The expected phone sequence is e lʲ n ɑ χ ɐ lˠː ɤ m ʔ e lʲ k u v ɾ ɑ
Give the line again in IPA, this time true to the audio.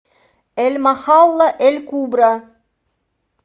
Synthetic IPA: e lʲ m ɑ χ ɑ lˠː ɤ ʔ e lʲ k u b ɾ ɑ